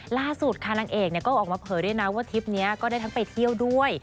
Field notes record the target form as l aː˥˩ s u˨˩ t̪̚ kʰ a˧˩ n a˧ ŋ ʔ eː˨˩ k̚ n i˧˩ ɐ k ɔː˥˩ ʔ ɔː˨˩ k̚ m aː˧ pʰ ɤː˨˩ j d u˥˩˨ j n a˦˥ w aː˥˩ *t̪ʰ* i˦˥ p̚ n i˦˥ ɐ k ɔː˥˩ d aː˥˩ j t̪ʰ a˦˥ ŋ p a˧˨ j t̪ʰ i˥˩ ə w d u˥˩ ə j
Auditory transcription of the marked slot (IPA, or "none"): t̪ʰ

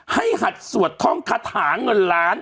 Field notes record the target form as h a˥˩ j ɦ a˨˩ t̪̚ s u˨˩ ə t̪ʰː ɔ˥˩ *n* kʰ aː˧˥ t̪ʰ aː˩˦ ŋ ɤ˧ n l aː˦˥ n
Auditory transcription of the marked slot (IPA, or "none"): ŋ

